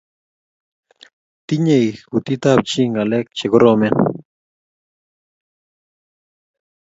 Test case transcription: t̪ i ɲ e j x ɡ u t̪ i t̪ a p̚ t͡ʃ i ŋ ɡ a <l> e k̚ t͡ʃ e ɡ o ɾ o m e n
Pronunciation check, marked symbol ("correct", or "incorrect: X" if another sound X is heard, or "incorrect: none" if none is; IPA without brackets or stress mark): correct